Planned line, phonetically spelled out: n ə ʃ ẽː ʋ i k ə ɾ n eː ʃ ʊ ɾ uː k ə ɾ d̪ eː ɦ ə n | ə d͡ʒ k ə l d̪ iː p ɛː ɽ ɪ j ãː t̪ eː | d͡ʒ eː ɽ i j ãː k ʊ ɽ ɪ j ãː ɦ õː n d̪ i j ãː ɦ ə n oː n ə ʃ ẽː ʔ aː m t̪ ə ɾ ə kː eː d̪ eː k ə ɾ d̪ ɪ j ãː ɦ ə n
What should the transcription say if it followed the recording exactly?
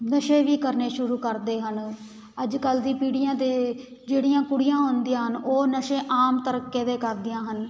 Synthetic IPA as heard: n ə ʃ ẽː ʋ iː k ə ɾ n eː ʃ ʊ ɾ uː k ə ɾ d̪ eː ɦ ə n | ə d͡ʒ k ə l d̪ iː p iː ɽ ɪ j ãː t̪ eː | d͡ʒ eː ɽ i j ãː k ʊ ɽ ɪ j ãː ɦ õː n d̪ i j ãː ɦ ə n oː n ə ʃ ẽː ʔ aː m t̪ ə ɾ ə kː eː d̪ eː k ə ɾ d̪ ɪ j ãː ɦ ə n